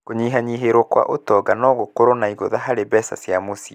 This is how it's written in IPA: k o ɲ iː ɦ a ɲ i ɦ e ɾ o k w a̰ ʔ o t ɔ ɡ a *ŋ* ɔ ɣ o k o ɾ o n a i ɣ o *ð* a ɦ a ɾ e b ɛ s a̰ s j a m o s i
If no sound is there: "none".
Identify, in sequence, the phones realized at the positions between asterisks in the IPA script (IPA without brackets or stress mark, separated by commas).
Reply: n, ð